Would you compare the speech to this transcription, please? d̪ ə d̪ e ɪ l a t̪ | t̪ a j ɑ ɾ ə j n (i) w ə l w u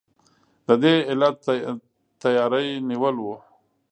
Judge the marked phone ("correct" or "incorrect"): correct